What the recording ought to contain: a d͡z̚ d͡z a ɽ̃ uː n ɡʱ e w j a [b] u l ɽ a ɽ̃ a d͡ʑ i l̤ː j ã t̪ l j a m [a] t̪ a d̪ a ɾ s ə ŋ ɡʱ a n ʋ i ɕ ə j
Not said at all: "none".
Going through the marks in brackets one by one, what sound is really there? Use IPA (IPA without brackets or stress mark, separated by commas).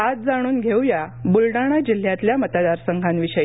b, ə